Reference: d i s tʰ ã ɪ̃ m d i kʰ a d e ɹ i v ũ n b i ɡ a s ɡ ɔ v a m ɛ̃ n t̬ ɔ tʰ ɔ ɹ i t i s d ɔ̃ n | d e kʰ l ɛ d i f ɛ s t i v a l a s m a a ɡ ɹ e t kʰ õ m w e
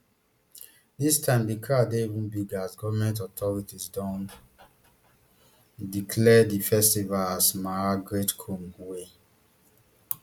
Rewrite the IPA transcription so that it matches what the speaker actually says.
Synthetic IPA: d i s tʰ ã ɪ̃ m d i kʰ a d e i v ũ n b i ɡ a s ɡ ɔ v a m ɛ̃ n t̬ ɔ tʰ ɔ ɹ i t i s d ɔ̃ n | d i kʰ l ɛ d i f ɛ s t i v a l a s m a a ɡ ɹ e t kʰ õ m w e